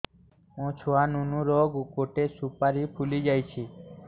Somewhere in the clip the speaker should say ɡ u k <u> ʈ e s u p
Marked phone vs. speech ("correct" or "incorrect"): incorrect